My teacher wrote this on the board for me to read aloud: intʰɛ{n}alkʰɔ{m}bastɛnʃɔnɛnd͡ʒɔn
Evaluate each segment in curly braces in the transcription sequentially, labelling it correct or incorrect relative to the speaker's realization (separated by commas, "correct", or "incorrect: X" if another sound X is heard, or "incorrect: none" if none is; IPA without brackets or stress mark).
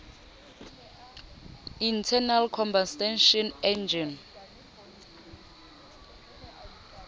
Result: correct, correct